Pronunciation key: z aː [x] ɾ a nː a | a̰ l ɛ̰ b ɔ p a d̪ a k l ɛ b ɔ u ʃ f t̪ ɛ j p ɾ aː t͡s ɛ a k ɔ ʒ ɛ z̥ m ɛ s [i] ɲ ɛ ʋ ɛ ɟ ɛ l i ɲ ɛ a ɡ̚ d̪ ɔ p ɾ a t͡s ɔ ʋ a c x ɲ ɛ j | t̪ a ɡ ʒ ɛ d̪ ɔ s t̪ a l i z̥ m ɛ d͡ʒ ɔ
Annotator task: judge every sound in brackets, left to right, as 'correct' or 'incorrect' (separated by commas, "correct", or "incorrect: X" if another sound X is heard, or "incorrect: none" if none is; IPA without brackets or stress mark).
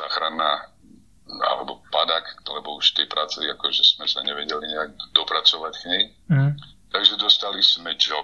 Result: correct, incorrect: a